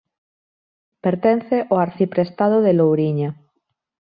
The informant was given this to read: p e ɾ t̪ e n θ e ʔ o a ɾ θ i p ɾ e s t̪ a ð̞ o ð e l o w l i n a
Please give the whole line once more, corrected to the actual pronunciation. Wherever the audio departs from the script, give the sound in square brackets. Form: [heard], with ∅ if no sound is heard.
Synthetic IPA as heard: p e ɾ t̪ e n θ e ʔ o a ɾ θ i p ɾ e s t̪ a ð̞ o ð e l o w [ɾ] i [ɲ] a